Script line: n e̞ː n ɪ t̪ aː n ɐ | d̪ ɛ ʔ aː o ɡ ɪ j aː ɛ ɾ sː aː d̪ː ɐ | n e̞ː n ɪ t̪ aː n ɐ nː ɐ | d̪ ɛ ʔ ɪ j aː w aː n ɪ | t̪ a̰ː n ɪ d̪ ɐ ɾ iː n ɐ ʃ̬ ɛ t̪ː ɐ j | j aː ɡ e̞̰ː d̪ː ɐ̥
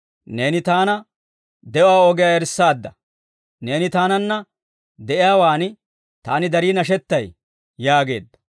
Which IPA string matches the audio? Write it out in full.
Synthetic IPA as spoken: n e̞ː n ɪ t̪ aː n ɐ | d̪ ɛ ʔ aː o ɡ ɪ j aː ɛ ɾ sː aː d̪ː ɐ | n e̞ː n ɪ t̪ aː n ɐ nː ɐ | d̪ ɛ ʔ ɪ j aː w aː n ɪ | t̪ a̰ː n ɪ d̪ ɐ ɾ iː n ɐ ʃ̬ ɛ t̪ː ɐ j | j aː ɡ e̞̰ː d̪ː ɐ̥